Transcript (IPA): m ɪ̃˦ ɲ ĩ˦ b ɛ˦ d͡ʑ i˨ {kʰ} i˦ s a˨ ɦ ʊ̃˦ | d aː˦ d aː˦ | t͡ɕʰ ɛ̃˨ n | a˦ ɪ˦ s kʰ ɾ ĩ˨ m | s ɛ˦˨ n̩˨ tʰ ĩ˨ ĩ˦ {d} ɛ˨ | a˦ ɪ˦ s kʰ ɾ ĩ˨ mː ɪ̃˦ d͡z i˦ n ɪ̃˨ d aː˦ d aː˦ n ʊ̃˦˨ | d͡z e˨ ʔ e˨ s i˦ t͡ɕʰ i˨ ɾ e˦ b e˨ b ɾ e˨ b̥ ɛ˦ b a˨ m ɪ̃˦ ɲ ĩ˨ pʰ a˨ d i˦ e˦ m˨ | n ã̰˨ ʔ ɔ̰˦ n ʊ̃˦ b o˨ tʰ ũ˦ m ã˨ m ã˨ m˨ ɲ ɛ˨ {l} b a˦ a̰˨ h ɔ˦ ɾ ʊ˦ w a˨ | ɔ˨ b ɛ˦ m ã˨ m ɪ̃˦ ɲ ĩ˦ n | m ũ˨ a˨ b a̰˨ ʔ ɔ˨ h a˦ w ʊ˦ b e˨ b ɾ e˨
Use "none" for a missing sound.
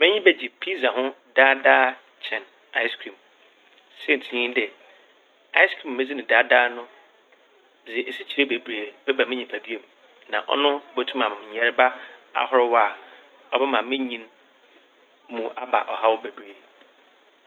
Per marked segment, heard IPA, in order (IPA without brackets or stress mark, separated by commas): pʰ, d, ɾ